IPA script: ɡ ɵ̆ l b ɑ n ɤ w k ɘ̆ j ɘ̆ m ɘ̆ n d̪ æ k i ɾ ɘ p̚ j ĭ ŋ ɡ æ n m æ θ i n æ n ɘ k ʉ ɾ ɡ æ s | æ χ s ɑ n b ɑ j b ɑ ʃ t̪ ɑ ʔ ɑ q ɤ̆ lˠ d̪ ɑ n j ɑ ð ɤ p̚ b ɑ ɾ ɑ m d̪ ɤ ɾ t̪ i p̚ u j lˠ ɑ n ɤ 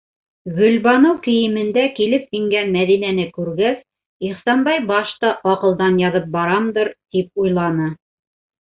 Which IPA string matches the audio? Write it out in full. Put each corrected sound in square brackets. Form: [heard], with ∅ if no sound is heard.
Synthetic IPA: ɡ ɵ̆ l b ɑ n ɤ w k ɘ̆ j ɘ̆ m ɘ̆ n d̪ æ k i [l] ɘ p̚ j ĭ ŋ ɡ æ n m æ [ð] i n æ n ɘ k ʉ ɾ ɡ æ s | [i] χ s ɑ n b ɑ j b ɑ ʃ t̪ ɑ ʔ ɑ q ɤ̆ lˠ d̪ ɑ n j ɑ ð ɤ p̚ b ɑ ɾ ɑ m d̪ ɤ ɾ t̪ i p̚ u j lˠ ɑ n ɤ